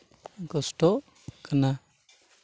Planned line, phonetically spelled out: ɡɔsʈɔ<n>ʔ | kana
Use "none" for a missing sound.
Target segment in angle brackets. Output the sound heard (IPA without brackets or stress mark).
none